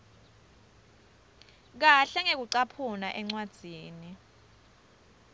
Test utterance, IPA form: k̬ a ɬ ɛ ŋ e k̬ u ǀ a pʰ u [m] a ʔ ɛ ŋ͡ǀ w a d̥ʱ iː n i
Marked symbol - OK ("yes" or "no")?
no